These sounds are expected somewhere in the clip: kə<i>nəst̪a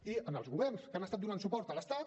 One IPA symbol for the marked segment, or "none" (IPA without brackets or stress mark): a